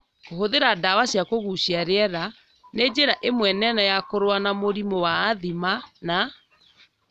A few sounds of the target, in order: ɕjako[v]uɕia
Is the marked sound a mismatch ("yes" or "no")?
yes